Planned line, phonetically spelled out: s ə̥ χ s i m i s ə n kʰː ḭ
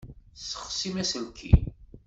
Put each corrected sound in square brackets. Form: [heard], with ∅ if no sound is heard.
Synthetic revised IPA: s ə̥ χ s i m [æ] s ə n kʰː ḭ